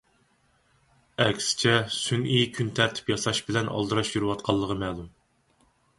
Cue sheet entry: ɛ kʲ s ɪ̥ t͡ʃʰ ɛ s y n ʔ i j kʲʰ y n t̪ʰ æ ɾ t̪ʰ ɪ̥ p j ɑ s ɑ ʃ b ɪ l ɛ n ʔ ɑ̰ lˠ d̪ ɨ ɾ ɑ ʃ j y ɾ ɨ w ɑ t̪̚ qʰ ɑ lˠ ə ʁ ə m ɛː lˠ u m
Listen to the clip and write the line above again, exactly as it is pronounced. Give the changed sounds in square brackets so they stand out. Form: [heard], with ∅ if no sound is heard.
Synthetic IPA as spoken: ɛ kʲ s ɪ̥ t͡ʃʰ ɛ s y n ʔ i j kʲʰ y n t̪ʰ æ ɾ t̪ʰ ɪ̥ p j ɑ s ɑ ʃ b ɪ l ɛ n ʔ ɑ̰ lˠ d̪ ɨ ɾ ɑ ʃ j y ɾ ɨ w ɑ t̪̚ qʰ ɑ [lˠː] ə ʁ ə m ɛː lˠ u m